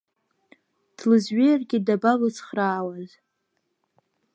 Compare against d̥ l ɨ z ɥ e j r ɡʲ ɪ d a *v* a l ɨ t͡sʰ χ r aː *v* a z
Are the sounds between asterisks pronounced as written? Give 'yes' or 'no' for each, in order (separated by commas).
no, no